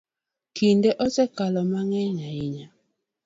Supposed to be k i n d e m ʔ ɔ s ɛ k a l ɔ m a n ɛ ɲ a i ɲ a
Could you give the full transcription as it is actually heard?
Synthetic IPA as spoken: k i n d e ʔ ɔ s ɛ k a l ɔ m a ŋ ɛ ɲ a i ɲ a